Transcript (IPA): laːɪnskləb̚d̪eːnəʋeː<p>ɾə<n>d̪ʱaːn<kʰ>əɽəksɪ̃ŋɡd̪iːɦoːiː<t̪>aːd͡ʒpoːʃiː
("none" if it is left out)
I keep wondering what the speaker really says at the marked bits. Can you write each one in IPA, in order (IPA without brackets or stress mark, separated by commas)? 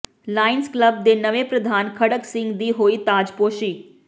p, none, kʰ, t̪